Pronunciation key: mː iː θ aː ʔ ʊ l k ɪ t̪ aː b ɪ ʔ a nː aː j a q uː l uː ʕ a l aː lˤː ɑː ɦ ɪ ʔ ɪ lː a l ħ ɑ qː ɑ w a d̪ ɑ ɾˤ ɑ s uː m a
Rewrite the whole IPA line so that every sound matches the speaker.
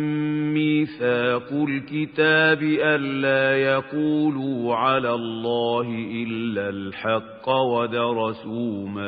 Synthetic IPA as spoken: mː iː θ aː q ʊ l k ɪ t̪ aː b ɪ ʔ a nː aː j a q uː l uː ʕ a l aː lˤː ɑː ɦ ɪ ʔ ɪ lː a l ħ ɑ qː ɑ w a d̪ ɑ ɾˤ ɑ s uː m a